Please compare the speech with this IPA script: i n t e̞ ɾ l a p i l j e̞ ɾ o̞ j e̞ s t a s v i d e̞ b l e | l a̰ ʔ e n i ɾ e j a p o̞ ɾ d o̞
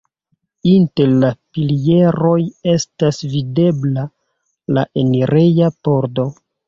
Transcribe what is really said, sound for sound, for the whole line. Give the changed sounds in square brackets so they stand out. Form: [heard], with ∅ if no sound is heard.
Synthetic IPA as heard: i n t e̞ ɾ l a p i l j e̞ ɾ o̞ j e̞ s t a s v i d e̞ b l [a] | l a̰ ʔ e n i ɾ e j a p o̞ ɾ d o̞